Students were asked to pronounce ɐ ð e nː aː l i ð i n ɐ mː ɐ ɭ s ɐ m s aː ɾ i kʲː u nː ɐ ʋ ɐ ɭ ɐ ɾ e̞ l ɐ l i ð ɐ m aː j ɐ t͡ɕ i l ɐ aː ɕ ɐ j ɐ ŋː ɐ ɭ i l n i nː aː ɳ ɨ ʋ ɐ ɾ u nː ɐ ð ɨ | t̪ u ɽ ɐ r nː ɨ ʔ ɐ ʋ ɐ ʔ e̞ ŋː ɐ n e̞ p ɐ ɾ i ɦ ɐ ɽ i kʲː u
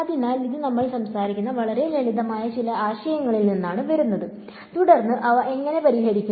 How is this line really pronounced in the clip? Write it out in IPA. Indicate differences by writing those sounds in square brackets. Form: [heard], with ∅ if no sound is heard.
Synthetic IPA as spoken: ɐ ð [i] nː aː l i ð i n ɐ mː ɐ ɭ s ɐ m s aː ɾ i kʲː u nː ɐ ʋ ɐ ɭ ɐ ɾ e̞ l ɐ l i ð ɐ m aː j ɐ t͡ɕ i l ɐ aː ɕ ɐ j ɐ ŋː ɐ ɭ i l n i nː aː ɳ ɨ ʋ ɐ ɾ u nː ɐ ð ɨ | t̪ u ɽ ɐ r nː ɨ ʔ ɐ ʋ ɐ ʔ e̞ ŋː ɐ n e̞ p ɐ ɾ i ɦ ɐ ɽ i kʲː u